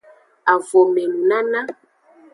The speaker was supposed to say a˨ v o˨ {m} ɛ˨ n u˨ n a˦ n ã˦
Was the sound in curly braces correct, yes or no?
yes